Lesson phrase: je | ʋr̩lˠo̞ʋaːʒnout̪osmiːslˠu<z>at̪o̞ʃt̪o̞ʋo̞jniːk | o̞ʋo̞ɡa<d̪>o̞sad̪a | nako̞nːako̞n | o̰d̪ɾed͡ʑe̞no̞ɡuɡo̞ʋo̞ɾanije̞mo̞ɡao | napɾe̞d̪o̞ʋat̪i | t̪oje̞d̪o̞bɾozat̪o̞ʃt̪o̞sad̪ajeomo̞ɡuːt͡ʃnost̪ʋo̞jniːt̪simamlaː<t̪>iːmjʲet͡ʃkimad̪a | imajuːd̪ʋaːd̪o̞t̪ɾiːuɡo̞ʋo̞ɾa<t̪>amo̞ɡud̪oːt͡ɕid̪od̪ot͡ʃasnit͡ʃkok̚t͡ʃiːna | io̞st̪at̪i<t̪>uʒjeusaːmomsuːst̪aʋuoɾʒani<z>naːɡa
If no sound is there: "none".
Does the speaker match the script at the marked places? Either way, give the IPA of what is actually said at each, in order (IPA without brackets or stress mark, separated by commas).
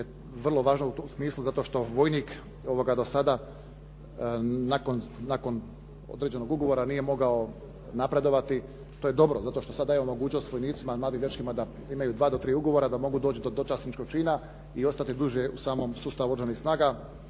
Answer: z, d̪, d̪, d̪, d̪, s